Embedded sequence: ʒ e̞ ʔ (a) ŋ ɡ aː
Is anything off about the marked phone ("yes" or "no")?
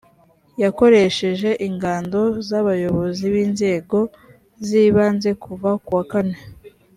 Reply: yes